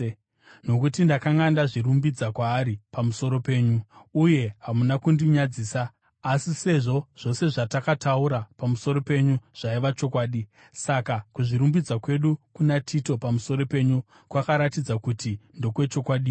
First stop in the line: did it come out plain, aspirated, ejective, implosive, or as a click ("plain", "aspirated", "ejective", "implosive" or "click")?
plain